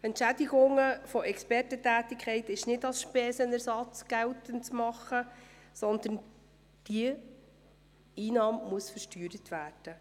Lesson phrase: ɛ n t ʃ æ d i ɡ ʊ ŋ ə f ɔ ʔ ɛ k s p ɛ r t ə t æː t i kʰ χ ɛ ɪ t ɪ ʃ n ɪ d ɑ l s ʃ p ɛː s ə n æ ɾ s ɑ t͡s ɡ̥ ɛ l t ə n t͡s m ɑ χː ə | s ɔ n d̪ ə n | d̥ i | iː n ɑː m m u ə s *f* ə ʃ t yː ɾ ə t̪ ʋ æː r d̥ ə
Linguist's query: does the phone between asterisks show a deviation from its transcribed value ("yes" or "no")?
no